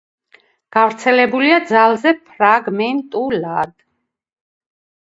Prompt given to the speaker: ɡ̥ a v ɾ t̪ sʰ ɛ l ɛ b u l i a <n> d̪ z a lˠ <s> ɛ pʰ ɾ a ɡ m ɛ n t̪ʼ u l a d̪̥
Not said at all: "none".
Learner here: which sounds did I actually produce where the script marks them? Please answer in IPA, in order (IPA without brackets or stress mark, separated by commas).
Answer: none, z